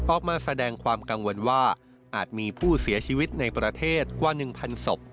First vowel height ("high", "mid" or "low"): mid